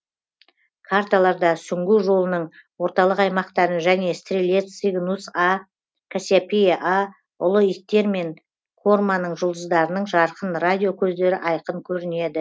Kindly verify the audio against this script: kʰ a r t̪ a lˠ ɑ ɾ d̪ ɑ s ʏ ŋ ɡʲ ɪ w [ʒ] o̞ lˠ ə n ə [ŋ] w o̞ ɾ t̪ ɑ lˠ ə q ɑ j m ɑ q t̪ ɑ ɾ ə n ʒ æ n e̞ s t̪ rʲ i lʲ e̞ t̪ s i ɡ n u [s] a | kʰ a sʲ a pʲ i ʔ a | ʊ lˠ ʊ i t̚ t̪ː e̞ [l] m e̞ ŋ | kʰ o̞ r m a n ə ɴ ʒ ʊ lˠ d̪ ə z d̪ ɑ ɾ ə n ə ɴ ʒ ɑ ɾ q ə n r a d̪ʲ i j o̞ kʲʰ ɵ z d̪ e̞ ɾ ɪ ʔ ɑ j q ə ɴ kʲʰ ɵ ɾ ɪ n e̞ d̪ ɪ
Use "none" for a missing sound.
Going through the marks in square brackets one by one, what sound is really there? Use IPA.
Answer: ʒ, ɴ, s, ɾ

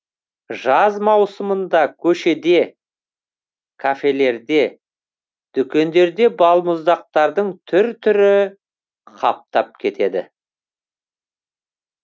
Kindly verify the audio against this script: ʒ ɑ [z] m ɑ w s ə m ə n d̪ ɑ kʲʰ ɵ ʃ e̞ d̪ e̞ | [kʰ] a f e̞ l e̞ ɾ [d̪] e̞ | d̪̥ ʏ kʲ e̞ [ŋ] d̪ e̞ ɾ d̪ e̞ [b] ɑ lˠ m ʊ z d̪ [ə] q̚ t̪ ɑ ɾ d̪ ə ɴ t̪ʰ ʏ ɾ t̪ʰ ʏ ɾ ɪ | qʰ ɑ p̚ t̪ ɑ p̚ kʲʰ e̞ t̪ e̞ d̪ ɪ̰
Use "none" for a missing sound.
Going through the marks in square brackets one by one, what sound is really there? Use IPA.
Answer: z, kʰ, d̪, n, b, ɑ

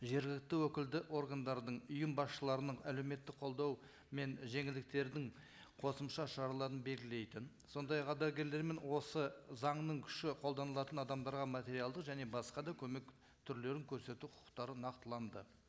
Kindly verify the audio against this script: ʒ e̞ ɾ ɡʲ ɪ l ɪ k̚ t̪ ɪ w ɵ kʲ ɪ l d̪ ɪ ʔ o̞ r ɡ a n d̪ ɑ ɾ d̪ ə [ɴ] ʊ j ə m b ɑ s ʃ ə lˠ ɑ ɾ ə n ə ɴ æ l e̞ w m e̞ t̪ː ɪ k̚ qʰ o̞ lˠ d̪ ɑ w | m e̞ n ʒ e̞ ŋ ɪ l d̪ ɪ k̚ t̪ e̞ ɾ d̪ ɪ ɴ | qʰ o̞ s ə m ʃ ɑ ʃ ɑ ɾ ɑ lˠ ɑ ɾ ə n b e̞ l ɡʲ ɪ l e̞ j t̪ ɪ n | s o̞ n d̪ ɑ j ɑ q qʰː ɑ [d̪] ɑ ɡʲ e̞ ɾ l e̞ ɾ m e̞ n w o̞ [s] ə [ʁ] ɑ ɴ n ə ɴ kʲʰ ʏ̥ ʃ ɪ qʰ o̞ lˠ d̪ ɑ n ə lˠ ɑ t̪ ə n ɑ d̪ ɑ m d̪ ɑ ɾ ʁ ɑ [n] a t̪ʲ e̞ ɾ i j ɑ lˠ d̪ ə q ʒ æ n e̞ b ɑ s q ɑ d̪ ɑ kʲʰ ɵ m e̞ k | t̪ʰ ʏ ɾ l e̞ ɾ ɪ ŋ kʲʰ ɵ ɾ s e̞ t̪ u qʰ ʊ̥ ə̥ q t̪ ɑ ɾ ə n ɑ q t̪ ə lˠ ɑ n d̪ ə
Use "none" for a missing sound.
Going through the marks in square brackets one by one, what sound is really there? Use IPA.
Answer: ɴ, d̪, s, z, m

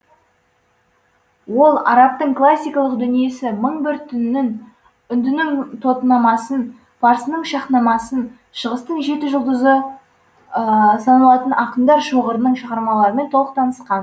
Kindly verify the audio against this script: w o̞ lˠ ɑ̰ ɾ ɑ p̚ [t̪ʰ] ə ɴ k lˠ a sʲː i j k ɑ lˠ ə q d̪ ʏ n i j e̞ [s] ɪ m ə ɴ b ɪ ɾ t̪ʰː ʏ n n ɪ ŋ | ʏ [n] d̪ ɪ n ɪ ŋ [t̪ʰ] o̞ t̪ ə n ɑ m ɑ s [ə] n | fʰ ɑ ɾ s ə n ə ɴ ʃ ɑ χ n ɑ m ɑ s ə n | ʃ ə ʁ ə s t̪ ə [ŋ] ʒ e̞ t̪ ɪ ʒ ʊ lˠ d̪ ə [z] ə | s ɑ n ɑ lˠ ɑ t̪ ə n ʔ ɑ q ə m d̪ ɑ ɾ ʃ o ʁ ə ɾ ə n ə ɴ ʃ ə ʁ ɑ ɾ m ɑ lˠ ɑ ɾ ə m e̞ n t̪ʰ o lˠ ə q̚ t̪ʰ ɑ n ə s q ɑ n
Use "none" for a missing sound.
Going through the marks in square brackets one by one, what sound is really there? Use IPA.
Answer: t̪, s, n, t̪ʰ, ə, ɴ, z

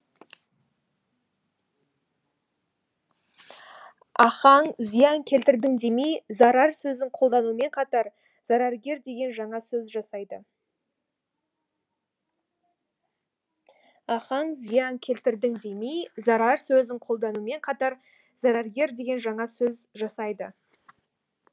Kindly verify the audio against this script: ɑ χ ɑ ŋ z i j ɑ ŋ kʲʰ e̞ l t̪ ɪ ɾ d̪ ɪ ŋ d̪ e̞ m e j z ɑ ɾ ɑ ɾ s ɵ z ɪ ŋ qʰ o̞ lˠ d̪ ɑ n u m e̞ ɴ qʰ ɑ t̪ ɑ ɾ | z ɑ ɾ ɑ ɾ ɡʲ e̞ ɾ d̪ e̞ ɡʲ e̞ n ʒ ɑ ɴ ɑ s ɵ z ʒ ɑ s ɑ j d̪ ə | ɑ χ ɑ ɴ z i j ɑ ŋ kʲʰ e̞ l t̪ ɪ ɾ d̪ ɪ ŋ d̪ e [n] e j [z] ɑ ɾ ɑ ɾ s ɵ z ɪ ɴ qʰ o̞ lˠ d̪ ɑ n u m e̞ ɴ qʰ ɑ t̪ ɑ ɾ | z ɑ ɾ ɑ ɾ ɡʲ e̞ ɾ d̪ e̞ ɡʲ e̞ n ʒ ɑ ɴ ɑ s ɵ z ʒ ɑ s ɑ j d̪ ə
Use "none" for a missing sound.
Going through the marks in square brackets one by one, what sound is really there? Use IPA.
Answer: m, z

